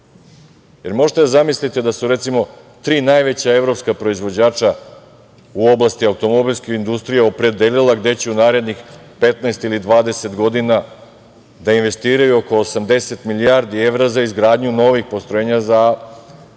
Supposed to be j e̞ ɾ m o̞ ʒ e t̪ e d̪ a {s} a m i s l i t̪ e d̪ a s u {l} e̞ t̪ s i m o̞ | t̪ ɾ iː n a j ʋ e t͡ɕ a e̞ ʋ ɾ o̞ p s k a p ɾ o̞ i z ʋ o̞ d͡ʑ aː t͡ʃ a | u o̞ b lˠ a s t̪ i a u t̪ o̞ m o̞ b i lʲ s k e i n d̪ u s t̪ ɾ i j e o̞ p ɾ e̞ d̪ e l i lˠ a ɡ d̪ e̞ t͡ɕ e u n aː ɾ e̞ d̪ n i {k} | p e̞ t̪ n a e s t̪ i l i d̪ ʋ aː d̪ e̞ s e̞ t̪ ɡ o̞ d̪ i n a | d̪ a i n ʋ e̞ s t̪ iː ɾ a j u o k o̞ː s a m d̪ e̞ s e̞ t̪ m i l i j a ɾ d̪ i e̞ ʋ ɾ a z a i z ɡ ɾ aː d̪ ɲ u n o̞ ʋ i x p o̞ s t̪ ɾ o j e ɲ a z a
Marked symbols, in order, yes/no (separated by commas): no, no, no